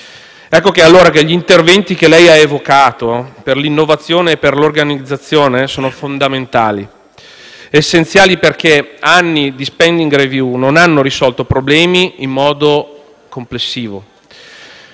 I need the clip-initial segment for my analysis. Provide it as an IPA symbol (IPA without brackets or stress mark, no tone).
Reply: ɛ